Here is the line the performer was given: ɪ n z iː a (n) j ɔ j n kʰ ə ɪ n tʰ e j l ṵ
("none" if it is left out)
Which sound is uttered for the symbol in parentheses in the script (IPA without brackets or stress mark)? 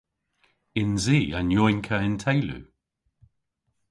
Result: n